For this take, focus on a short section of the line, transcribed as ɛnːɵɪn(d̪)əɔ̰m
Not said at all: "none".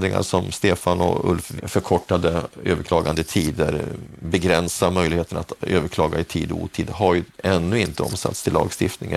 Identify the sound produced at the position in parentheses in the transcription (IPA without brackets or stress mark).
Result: t̪